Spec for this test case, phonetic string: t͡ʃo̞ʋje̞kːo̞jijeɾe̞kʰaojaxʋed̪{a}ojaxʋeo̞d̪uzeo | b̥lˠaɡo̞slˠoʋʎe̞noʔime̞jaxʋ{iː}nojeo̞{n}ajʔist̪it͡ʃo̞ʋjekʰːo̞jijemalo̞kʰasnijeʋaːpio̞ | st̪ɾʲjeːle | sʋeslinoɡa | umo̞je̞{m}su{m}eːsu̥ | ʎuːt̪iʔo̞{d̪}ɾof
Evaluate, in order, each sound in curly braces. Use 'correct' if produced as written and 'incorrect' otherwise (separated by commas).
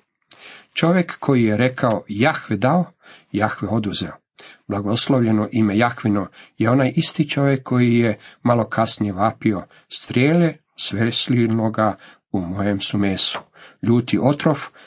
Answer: correct, incorrect, correct, correct, correct, incorrect